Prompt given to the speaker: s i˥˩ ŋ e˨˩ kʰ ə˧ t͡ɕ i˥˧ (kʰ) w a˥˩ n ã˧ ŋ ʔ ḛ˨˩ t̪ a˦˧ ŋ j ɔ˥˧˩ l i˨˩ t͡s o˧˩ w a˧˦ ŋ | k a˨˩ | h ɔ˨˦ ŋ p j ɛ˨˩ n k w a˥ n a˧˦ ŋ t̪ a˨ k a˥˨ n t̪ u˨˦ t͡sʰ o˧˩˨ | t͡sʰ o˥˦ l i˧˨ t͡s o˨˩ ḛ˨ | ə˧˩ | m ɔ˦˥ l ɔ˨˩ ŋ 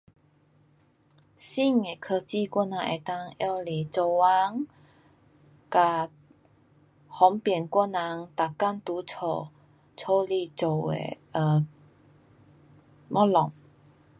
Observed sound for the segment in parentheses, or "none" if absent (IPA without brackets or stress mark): k